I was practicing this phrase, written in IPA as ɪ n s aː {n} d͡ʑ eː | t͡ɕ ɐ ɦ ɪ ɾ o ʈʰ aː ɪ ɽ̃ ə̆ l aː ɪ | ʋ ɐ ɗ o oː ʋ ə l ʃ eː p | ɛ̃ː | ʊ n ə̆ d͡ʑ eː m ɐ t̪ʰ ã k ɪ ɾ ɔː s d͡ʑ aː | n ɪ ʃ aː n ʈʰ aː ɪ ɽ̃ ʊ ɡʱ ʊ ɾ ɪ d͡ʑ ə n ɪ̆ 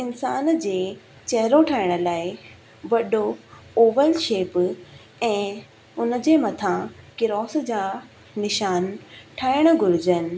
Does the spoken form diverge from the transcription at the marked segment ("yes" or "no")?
no